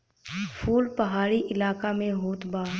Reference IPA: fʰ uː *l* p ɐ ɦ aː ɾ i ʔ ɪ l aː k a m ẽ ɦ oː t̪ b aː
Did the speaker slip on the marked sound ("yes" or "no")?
no